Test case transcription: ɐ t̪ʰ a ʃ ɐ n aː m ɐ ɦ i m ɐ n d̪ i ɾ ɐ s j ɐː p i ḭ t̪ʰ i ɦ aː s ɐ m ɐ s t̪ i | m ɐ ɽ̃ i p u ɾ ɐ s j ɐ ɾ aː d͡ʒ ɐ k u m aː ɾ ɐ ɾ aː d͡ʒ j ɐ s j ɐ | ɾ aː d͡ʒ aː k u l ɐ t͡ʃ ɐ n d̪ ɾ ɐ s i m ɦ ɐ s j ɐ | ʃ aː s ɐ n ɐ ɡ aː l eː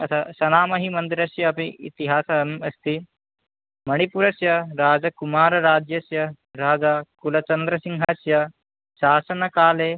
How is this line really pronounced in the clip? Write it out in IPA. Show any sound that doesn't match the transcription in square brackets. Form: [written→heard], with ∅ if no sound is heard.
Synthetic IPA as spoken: ɐ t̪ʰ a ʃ ɐ n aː m ɐ ɦ i m ɐ n d̪ i ɾ ɐ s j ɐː p i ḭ [t̪ʰ→t̪] i ɦ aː s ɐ m ɐ s t̪ i | m ɐ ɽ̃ i p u ɾ ɐ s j ɐ ɾ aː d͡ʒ ɐ k u m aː ɾ ɐ ɾ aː d͡ʒ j ɐ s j ɐ | ɾ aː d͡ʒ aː k u l ɐ t͡ʃ ɐ n d̪ ɾ ɐ s i [m→ŋ] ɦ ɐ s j ɐ | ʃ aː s ɐ n ɐ [ɡ→k] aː l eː